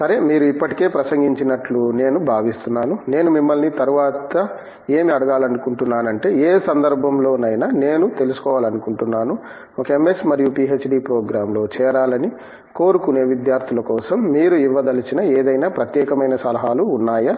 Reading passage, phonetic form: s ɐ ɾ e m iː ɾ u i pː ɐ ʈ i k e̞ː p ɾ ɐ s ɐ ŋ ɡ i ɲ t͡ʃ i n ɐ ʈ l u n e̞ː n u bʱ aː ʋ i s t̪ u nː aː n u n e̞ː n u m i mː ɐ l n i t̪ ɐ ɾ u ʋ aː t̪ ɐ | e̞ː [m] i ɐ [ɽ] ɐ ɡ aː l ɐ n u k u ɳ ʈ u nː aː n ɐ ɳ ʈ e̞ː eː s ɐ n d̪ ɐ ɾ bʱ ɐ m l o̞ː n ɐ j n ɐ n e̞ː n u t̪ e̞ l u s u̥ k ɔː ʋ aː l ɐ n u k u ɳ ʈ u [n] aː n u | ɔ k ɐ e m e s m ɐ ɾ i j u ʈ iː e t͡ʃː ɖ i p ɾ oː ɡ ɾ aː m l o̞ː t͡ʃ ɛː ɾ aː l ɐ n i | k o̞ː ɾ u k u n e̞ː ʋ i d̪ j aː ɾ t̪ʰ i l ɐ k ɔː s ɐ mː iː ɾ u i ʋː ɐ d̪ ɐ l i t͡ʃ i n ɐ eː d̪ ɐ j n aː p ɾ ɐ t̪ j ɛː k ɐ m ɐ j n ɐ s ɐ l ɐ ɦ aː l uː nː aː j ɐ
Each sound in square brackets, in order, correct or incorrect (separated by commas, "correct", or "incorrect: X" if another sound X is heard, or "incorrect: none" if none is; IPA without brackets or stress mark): correct, correct, incorrect: nː